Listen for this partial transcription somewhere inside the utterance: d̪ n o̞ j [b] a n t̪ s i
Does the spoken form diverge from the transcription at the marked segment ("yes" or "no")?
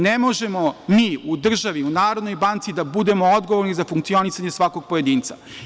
no